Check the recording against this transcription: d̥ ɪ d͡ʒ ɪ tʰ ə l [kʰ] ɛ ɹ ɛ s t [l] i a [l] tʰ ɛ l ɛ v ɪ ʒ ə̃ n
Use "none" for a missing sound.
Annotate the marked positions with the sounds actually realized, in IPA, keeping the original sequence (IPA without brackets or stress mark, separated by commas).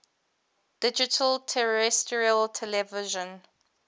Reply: tʰ, ɹ, l